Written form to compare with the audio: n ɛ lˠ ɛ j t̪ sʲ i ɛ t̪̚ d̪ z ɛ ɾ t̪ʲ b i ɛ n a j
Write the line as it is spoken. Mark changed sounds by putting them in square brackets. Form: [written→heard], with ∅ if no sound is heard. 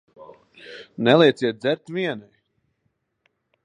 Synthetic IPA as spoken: n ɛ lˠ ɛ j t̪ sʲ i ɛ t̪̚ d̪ z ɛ ɾ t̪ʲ [b→v] i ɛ n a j